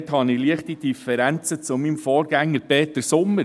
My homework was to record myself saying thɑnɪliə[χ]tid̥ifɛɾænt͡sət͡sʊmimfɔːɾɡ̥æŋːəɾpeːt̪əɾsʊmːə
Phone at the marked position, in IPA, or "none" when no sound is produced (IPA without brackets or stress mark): χ